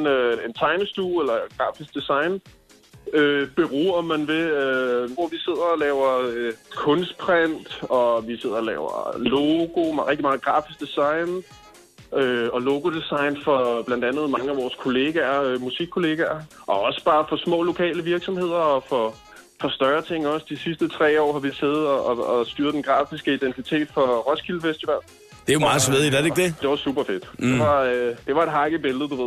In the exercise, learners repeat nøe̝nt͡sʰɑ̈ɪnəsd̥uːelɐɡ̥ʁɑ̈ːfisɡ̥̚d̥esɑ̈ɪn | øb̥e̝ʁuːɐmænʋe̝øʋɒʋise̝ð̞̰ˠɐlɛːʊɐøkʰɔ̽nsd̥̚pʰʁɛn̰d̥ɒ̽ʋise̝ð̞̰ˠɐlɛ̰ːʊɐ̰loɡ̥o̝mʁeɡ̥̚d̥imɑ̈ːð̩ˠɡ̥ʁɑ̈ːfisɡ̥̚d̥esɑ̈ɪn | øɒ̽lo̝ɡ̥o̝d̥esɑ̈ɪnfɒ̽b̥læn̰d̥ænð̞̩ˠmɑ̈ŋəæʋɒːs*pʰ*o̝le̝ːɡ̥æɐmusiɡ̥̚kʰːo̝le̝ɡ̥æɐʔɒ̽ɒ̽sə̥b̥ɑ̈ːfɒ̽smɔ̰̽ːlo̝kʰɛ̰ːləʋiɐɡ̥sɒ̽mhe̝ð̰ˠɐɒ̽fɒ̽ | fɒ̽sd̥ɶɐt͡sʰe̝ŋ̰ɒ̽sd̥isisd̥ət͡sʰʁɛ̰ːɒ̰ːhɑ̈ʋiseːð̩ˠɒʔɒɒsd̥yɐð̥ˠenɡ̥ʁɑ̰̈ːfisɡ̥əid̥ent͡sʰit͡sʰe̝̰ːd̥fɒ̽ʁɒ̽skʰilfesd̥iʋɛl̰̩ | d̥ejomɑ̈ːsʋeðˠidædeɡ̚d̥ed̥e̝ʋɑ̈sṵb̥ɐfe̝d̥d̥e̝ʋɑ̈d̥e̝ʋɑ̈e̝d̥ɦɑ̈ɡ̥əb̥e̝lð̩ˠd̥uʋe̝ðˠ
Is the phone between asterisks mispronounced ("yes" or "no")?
yes